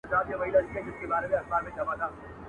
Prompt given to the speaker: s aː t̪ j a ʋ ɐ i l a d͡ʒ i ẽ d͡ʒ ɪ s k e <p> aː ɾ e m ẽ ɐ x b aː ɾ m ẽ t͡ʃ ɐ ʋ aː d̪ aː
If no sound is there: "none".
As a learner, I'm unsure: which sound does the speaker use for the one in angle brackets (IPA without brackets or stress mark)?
b